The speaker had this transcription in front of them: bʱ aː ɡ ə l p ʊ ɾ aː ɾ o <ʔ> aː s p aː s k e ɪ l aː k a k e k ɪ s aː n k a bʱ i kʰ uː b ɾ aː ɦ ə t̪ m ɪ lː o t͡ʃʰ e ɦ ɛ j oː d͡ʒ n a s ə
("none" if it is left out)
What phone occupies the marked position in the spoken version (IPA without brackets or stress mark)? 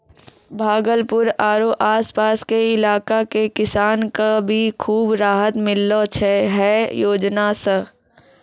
ʔ